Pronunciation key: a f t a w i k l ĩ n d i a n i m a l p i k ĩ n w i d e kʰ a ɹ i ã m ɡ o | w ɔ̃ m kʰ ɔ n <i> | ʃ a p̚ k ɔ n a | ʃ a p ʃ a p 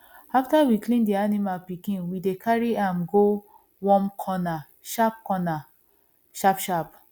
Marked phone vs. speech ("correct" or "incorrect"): incorrect